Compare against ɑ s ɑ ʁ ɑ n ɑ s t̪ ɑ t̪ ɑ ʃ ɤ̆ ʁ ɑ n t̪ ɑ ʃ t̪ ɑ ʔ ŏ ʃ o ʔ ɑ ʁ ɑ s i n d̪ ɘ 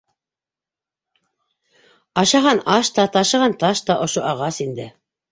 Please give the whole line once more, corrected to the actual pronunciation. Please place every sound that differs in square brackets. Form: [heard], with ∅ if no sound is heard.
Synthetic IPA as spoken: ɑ [ʃ] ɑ ʁ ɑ n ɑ [ʃ] t̪ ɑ t̪ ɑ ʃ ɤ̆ ʁ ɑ n t̪ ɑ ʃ t̪ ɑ ʔ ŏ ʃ o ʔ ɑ ʁ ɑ s i n d̪ ɘ